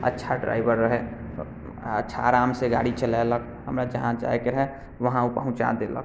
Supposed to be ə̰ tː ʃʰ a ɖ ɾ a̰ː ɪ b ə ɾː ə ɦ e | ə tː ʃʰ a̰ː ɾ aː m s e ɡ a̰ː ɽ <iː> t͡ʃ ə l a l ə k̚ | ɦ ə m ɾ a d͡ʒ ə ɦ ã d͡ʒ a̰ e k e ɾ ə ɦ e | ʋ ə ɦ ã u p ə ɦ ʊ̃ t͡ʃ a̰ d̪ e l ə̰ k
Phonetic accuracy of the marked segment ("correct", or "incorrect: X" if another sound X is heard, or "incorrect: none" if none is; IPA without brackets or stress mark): incorrect: i